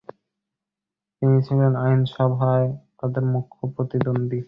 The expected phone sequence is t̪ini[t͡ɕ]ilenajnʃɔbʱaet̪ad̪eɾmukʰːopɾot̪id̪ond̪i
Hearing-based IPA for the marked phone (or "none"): t͡ɕʰ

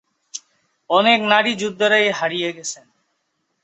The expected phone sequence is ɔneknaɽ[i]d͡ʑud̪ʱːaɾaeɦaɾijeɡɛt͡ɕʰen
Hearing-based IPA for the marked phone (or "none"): i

